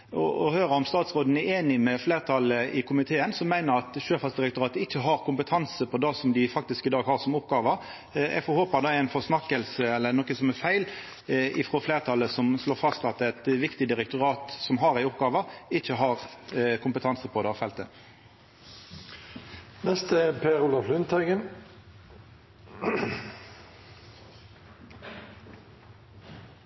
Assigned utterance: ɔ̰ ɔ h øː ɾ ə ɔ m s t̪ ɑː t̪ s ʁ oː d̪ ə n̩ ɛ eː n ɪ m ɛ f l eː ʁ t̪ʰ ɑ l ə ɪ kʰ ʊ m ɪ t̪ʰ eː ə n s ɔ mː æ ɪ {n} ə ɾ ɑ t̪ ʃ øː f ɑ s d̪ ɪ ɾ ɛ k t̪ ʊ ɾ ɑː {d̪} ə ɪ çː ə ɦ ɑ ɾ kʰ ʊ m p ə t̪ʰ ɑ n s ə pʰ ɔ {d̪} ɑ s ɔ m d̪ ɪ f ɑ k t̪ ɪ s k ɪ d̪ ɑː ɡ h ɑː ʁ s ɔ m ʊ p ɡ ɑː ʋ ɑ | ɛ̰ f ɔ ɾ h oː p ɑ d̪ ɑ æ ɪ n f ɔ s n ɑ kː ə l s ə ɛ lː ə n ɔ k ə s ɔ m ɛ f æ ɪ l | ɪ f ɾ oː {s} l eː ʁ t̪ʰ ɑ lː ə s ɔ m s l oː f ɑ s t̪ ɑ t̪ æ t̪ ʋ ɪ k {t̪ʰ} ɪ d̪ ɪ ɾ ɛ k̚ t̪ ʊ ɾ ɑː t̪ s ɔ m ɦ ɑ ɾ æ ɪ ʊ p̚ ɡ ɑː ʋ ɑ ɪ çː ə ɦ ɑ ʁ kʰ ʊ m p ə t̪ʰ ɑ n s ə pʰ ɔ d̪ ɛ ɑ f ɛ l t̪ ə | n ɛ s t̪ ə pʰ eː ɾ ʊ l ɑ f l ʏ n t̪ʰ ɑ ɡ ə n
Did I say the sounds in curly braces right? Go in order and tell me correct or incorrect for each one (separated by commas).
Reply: correct, incorrect, correct, incorrect, incorrect